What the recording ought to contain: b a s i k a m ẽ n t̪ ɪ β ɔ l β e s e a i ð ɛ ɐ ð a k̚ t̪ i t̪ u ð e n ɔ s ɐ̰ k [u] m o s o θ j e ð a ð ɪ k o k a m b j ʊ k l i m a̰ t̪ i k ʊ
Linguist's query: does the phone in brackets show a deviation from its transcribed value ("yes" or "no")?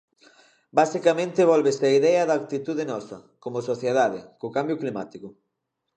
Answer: yes